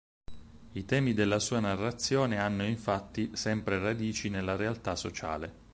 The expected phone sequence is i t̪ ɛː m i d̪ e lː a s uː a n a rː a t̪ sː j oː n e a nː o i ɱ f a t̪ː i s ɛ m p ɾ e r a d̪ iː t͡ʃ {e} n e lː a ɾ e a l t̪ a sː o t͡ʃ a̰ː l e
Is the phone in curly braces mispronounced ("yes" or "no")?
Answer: yes